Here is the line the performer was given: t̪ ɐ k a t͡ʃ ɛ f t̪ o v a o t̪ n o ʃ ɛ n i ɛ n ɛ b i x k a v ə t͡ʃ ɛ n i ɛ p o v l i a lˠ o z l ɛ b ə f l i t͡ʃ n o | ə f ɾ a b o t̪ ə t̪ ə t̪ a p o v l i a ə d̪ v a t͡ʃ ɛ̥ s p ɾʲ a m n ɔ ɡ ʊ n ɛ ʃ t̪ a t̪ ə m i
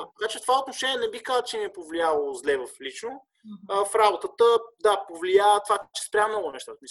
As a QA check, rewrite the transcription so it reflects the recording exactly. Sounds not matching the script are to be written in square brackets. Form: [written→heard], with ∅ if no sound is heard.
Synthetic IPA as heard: t̪ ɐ k a t͡ʃ ɛ f t̪ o v a o t̪ n o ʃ ɛ n i ɛ n ɛ b i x k a [v→z] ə t͡ʃ ɛ n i ɛ p o v l i a lˠ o z l ɛ [b→v] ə f l i t͡ʃ n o | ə f ɾ a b o t̪ ə t̪ ə [t̪→d̪] a p o v l i a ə [d̪→t̪] v a t͡ʃ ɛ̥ s p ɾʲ a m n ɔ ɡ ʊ n ɛ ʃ t̪ a t̪ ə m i